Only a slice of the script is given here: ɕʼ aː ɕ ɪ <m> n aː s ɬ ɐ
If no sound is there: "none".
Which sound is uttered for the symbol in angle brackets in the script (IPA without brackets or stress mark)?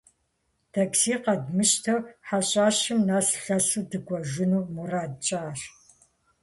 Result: m